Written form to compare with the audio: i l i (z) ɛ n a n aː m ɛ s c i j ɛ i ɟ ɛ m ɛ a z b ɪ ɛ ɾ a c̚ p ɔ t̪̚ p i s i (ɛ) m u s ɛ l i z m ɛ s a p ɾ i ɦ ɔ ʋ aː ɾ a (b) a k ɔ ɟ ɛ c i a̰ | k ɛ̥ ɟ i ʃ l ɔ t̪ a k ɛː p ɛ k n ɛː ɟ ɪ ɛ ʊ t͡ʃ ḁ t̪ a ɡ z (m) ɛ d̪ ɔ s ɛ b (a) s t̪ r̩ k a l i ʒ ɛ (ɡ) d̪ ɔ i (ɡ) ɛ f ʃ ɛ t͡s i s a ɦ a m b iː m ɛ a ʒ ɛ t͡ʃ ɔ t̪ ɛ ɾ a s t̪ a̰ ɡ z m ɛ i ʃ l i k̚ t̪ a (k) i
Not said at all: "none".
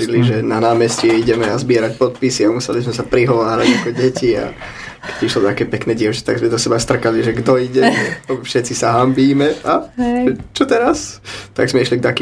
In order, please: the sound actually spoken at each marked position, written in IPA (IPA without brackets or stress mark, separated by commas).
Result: ʒ, a, ɟ, m, a, ɡ, ɟ, k